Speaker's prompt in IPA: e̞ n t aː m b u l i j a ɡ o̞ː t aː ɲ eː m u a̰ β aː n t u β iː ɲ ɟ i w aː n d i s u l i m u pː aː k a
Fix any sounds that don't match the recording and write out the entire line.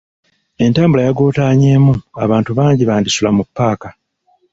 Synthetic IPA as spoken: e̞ n t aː m b u l a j a ɡ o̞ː t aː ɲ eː m u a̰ β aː n t u β aː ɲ ɟ i β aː n d i s u l a m u pː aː k a